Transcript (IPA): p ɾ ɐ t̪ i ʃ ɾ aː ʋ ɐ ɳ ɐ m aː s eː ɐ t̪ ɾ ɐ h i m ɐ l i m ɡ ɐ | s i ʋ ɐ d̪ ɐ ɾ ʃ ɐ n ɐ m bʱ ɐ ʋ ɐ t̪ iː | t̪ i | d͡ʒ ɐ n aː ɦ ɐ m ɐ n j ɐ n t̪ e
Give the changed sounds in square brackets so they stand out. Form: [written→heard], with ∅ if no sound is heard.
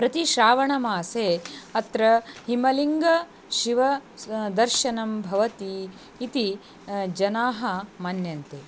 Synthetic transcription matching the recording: p ɾ ɐ t̪ i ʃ ɾ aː ʋ ɐ ɳ ɐ m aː s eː ɐ t̪ ɾ ɐ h i m ɐ l i [m→ŋ] ɡ ɐ | [s→ʃ] i ʋ ɐ d̪ ɐ ɾ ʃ ɐ n ɐ m bʱ ɐ ʋ ɐ t̪ iː | t̪ i | d͡ʒ ɐ n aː ɦ ɐ m ɐ n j ɐ n t̪ e